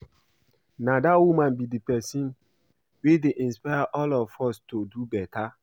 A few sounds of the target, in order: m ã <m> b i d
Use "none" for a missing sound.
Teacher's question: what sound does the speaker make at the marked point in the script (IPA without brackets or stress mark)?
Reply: n